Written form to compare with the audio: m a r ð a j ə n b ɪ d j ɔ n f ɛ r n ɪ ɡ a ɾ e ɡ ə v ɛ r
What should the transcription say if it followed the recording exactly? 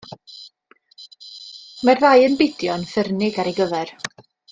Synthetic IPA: m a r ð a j ə n b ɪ d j ɔ n f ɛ r n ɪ ɡ a ɾ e ɡ ə v ɛ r